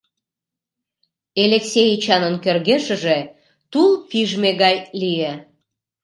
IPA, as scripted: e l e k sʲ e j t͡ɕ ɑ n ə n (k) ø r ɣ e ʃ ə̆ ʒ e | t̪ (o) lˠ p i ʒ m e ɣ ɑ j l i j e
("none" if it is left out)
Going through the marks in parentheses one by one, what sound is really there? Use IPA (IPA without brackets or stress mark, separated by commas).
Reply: k, u